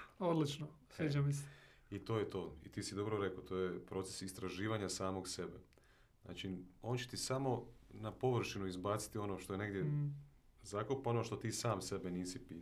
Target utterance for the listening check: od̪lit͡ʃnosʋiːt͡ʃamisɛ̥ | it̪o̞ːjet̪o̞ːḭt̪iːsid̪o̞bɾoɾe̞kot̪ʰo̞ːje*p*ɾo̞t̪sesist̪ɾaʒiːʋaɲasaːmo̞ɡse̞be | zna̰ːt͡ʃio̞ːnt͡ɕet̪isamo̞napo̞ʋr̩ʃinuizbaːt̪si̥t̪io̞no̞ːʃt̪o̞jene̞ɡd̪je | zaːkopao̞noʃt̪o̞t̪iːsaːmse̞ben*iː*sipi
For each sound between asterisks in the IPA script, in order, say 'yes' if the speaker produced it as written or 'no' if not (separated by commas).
yes, yes